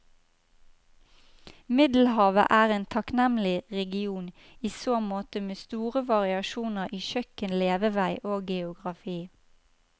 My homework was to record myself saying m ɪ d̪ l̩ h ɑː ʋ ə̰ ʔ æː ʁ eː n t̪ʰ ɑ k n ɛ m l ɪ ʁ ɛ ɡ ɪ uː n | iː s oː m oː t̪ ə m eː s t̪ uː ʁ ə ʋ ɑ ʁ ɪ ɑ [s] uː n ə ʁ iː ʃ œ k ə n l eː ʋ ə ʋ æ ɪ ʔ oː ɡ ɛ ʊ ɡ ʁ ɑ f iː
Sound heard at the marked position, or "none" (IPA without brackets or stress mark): ʃ